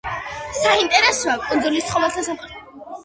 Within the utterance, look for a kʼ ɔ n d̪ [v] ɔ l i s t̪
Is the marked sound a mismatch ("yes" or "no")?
yes